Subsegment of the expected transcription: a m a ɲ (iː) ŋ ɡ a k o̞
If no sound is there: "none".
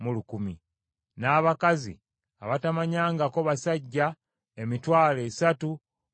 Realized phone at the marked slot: aː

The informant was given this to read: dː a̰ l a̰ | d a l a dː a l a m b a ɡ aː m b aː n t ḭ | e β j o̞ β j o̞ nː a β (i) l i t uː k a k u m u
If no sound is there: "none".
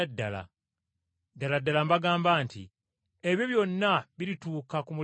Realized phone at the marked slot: i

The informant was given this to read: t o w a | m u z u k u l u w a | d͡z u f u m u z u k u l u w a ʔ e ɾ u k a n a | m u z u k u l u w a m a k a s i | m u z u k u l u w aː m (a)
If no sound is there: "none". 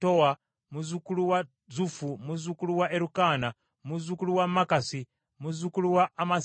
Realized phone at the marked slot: a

